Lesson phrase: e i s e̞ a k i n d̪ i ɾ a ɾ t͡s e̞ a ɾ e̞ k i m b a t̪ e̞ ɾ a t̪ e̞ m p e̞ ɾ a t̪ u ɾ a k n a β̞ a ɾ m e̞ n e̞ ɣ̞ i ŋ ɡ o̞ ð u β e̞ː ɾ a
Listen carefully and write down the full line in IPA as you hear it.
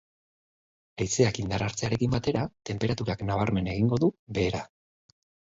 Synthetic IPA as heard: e j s e̞ a k i n d̪ a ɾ a ɾ t͡s e̞ a ɾ e̞ k i m b a t̪ e̞ ɾ a t̪ e̞ m p e̞ ɾ a t̪ u ɾ a k n a β̞ a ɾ m e̞ n e̞ ɣ̞ i ŋ ɡ o̞ ð u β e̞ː ɾ a